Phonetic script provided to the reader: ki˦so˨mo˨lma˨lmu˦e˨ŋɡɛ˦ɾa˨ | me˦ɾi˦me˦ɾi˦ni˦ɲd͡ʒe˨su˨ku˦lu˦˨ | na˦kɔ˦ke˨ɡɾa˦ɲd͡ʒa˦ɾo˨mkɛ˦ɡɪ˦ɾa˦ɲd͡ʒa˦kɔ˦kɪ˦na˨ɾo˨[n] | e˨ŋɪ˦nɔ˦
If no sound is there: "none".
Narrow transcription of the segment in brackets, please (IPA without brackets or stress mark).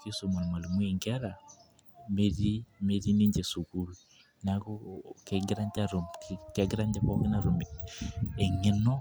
m